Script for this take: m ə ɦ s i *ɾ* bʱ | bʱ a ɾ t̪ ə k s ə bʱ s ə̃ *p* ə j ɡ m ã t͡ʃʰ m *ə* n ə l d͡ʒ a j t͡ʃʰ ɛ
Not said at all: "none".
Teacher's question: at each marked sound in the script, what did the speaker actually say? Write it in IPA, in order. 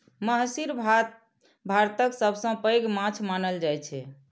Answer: ɾ, p, a

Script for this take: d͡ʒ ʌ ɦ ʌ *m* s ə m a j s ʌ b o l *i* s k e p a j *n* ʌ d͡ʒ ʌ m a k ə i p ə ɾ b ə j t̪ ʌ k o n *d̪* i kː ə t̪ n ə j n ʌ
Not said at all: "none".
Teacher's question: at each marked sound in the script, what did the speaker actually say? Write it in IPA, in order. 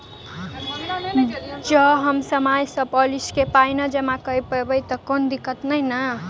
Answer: m, i, n, d̪

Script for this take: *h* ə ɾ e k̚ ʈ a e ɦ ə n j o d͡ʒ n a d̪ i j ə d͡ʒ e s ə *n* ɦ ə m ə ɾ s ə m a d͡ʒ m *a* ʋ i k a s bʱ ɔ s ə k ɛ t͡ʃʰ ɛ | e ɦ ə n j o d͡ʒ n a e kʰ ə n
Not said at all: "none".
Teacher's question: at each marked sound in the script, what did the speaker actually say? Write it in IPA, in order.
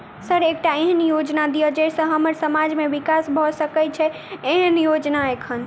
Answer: s, none, e

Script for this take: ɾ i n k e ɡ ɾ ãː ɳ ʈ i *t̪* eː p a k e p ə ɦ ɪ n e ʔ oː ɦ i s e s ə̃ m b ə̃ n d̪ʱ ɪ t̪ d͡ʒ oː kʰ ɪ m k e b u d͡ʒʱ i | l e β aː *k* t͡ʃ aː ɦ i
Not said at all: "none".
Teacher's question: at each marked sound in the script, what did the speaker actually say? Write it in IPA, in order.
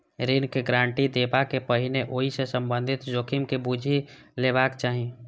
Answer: d̪, k

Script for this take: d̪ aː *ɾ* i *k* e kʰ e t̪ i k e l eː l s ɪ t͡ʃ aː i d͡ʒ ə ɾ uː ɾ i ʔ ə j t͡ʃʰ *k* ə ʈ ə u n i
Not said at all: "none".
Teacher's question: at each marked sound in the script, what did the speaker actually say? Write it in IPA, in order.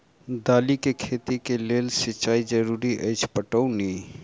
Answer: l, k, p

